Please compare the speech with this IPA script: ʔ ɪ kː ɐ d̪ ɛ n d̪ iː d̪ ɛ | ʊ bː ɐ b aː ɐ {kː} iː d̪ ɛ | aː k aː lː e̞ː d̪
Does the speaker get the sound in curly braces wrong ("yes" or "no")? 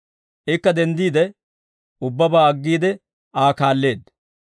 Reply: yes